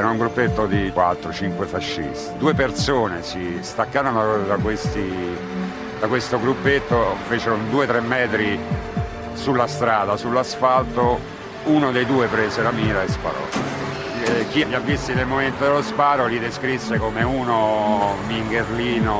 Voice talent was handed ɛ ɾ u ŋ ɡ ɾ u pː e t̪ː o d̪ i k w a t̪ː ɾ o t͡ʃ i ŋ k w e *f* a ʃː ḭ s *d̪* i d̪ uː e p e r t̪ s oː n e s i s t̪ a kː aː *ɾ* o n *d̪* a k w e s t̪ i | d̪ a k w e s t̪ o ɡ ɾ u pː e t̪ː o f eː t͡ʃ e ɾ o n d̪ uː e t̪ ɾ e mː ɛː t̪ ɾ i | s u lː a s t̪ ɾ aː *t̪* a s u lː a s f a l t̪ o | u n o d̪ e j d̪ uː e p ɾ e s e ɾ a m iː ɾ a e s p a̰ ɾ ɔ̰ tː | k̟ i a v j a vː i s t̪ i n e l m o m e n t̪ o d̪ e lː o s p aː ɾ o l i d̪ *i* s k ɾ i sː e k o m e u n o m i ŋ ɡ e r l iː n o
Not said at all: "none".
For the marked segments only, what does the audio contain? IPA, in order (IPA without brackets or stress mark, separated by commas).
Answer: f, t̪, ɾ, d̪, d̪, e